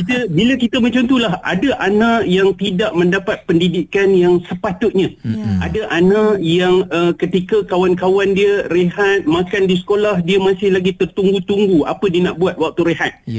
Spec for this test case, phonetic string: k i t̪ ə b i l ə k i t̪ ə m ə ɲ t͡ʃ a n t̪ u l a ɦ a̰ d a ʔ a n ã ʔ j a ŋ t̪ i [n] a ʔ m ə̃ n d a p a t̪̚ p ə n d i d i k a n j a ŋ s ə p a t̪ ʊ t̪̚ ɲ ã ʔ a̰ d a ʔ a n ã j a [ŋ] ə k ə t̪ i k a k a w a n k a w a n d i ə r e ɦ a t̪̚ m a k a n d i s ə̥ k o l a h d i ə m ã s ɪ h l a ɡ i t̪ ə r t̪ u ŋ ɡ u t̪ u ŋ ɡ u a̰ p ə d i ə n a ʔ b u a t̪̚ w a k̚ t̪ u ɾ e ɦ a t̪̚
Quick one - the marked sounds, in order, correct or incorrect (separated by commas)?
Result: incorrect, correct